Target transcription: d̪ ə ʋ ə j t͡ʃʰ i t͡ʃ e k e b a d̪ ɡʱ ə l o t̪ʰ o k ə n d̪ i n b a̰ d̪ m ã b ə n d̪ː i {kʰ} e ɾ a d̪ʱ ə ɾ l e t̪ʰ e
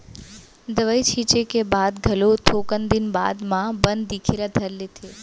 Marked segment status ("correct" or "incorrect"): correct